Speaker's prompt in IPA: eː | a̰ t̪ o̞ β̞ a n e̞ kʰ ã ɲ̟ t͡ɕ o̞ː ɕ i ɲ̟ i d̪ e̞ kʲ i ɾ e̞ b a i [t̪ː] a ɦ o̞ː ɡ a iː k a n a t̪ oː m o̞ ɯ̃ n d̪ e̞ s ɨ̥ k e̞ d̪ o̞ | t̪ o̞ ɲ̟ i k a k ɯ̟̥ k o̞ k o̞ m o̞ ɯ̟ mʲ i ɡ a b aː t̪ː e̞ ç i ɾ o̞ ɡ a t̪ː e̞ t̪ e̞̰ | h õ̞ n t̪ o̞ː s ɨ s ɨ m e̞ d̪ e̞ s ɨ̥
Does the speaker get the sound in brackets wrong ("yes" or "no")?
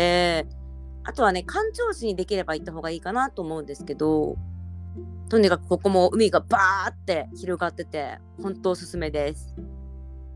no